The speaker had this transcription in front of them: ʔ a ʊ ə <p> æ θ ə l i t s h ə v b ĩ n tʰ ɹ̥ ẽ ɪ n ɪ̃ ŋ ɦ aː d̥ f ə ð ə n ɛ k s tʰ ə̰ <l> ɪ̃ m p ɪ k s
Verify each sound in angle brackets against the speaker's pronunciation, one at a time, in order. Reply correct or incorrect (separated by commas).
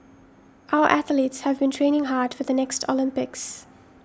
incorrect, correct